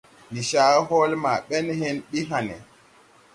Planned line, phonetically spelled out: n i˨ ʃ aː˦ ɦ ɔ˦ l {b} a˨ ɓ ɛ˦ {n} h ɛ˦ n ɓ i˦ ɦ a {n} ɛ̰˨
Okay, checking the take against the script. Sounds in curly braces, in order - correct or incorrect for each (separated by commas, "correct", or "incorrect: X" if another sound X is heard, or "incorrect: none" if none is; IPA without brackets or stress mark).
incorrect: m, correct, correct